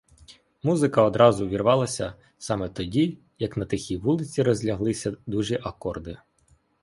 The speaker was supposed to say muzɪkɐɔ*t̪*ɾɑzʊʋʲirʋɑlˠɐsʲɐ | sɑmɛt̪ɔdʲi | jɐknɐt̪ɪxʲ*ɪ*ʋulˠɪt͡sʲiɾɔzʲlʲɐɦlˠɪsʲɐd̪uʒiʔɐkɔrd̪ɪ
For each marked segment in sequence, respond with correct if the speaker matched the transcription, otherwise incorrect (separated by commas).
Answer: incorrect, incorrect